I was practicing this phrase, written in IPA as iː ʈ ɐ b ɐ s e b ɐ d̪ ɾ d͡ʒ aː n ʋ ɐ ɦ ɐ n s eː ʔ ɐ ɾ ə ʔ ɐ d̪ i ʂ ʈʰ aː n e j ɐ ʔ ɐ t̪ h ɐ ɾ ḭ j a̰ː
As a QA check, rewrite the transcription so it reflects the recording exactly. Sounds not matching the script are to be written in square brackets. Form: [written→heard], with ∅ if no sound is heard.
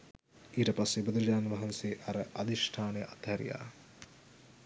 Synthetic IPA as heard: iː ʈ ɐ [b→p] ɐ s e b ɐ d̪ ɾ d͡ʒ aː n ʋ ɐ ɦ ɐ n s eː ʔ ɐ ɾ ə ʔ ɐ d̪ i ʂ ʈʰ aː n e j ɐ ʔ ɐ t̪ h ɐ ɾ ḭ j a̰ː